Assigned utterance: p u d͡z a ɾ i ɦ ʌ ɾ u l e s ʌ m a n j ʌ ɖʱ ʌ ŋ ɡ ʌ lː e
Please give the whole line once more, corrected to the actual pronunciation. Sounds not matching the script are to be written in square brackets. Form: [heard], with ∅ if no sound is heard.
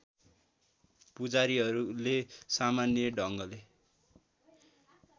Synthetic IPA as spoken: p u d͡z a ɾ i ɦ ʌ ɾ u l e s [a] m a n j ʌ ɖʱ ʌ ŋ ɡ ʌ [l] e